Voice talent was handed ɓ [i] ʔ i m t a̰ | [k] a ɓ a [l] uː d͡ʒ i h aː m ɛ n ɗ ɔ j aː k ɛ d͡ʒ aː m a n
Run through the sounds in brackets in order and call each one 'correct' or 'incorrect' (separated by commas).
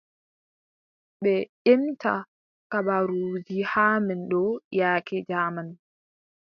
incorrect, correct, incorrect